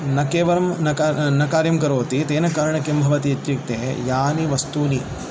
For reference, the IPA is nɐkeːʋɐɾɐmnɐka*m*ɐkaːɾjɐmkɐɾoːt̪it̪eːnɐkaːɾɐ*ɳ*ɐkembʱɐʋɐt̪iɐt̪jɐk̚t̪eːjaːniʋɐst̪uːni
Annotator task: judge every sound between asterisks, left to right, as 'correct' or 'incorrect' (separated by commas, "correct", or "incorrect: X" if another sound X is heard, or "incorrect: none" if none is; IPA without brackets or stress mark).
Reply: incorrect: n, correct